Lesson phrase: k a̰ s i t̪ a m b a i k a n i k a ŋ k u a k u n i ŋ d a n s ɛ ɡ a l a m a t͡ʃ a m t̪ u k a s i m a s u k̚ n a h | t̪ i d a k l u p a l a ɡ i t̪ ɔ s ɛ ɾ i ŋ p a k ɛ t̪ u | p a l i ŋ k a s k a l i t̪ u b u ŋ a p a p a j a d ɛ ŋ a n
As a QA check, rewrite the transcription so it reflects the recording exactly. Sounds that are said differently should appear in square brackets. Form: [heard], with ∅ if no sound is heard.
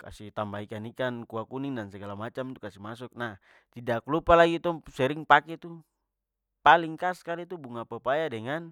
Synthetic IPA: k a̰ s i t̪ a m b a i k a n i k a [n] k u a k u n i ŋ d a n s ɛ ɡ a l a m a t͡ʃ a m t̪ u k a s i m a s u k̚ n a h | t̪ i d a k l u p a l a ɡ i t̪ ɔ s ɛ ɾ i ŋ p a k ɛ t̪ u | p a l i ŋ k a s k a l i t̪ u b u ŋ a p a p a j a d ɛ ŋ a n